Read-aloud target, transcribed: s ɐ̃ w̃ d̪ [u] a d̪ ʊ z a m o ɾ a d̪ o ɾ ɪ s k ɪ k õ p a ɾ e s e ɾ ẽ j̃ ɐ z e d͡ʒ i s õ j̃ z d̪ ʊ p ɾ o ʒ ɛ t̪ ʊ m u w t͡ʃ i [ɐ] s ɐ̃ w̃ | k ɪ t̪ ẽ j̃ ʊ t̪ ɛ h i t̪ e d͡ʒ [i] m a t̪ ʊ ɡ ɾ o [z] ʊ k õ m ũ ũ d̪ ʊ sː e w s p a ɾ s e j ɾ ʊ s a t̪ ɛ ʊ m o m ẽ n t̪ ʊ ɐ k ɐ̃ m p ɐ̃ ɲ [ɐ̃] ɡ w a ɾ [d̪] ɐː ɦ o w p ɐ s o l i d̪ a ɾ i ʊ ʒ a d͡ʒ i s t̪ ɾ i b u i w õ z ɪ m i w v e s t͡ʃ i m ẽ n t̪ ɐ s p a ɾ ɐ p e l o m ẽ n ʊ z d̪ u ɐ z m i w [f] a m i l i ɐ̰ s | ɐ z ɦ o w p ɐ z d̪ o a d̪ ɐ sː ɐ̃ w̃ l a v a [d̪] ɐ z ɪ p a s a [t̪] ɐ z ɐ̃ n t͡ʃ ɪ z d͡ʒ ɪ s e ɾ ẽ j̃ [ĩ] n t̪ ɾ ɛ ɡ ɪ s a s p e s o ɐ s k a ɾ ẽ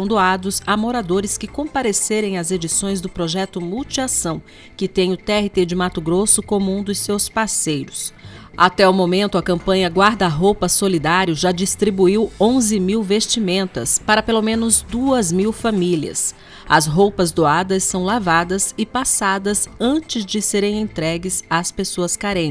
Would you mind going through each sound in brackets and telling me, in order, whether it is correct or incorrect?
incorrect, incorrect, incorrect, incorrect, incorrect, correct, correct, correct, incorrect, incorrect

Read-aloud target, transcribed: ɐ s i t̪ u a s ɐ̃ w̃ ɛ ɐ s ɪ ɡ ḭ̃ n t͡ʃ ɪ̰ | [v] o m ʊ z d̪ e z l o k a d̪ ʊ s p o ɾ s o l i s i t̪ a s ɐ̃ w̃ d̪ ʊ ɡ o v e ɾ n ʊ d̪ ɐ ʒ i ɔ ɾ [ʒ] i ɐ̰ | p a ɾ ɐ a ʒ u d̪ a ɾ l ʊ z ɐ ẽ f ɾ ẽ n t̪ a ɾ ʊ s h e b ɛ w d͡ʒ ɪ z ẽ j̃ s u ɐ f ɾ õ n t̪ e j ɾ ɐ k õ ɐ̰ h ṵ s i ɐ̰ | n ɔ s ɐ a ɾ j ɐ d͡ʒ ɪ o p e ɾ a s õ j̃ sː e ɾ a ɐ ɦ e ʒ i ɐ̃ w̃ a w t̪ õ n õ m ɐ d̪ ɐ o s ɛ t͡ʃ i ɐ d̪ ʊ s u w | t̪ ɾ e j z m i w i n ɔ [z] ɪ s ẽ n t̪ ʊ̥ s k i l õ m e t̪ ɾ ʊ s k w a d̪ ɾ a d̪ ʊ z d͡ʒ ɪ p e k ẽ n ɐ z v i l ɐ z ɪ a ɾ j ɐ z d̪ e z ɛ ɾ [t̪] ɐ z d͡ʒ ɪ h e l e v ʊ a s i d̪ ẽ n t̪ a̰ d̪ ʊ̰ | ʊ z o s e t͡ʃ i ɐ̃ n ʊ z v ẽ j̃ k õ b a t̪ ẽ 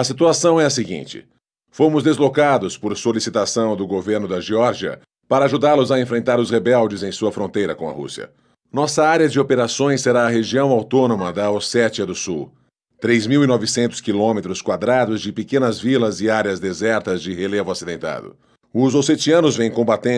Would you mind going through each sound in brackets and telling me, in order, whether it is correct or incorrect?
incorrect, correct, incorrect, correct

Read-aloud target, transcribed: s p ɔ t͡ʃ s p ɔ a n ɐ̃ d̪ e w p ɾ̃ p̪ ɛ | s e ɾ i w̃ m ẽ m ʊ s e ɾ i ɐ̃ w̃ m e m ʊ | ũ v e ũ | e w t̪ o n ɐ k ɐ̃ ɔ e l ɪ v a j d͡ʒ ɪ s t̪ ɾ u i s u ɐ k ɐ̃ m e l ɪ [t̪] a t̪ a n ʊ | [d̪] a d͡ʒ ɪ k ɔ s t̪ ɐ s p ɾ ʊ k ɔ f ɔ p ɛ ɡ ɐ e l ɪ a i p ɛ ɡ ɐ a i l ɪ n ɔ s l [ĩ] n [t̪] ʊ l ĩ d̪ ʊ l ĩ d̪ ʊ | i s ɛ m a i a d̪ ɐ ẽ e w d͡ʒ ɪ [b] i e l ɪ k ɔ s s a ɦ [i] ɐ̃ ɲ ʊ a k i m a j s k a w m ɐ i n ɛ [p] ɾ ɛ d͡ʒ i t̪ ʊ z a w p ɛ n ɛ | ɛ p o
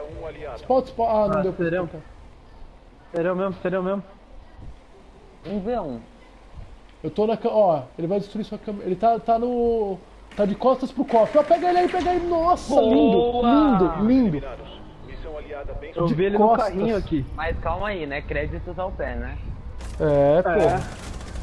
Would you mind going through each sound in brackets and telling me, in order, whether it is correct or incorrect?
correct, incorrect, correct, incorrect, incorrect, correct, incorrect

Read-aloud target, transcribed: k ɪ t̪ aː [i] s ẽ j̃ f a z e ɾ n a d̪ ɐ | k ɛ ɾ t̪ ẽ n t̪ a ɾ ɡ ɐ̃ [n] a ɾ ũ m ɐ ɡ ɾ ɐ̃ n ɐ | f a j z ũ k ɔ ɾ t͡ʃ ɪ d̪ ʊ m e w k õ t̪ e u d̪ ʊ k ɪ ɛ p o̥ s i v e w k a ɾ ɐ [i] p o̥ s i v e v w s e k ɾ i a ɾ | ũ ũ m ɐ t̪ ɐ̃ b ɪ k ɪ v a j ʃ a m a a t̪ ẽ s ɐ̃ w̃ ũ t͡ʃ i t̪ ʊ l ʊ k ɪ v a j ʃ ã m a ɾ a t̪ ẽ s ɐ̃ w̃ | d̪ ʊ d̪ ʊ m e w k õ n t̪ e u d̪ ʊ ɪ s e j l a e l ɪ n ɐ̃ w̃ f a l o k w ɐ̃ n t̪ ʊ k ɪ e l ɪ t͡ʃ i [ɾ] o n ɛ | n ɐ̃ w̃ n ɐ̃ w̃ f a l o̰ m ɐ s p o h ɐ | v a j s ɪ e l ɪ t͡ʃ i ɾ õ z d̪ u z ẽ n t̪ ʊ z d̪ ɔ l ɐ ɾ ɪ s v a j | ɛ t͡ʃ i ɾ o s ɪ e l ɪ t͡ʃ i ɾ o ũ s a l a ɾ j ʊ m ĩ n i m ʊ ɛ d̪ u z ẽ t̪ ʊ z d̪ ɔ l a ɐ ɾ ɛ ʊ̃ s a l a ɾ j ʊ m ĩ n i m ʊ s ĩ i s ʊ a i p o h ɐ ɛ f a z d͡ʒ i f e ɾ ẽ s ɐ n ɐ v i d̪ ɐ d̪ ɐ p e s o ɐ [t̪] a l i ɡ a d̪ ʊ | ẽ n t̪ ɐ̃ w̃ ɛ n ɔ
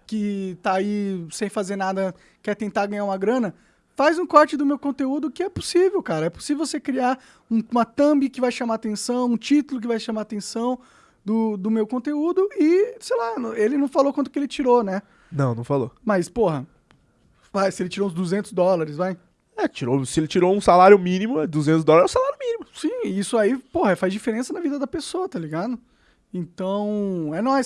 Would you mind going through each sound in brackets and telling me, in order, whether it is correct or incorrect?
correct, incorrect, incorrect, correct, correct

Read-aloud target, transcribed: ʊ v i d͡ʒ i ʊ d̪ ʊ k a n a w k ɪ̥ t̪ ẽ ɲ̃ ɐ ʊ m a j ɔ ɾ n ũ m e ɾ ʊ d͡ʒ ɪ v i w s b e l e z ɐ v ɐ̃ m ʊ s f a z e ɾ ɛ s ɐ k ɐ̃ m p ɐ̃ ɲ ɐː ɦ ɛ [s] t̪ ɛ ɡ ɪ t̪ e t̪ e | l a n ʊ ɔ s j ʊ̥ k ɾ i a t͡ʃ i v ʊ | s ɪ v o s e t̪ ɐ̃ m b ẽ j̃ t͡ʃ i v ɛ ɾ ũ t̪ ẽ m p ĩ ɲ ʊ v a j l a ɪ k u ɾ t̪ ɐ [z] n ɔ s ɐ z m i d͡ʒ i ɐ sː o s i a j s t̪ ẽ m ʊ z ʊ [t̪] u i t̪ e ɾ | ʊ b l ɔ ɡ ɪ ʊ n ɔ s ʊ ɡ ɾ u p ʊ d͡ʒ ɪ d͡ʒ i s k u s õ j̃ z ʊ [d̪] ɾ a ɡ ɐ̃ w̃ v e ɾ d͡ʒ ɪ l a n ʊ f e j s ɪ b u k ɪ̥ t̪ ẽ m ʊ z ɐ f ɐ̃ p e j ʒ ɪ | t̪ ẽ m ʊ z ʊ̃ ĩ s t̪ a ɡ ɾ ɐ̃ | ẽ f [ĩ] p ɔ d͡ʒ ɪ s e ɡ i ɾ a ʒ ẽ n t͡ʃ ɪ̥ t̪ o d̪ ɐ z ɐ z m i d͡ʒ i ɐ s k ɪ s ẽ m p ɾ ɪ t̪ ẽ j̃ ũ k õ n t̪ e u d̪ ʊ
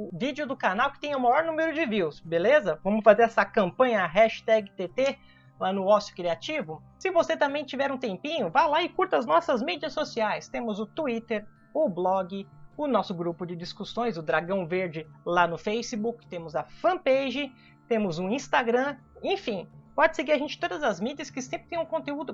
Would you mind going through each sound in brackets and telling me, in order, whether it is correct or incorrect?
incorrect, correct, correct, correct, correct

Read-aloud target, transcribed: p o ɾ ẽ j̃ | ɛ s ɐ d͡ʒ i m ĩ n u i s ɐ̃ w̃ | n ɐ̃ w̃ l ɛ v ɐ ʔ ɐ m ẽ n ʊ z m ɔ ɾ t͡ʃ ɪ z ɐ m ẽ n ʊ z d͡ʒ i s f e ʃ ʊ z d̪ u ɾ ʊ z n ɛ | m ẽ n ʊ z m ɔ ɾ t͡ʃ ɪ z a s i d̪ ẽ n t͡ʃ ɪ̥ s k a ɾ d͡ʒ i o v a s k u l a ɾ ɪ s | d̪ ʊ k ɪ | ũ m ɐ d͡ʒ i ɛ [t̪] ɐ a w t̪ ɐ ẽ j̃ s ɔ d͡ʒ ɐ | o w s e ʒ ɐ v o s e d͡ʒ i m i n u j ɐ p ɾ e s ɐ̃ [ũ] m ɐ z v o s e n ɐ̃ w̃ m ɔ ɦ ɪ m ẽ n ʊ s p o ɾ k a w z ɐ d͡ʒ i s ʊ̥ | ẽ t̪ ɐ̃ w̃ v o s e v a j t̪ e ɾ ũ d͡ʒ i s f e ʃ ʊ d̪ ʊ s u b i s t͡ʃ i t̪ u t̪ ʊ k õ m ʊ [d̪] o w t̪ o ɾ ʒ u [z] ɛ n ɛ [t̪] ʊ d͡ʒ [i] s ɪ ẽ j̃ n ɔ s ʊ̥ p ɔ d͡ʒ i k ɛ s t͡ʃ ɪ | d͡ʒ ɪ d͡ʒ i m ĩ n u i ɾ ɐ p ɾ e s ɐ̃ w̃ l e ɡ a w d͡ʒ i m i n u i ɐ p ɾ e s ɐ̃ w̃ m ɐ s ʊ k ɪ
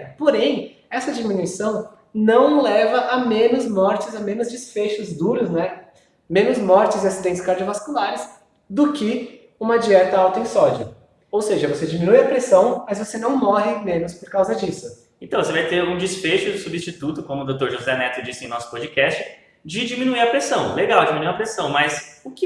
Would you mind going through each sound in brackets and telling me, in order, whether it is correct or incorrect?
correct, incorrect, correct, correct, correct, correct

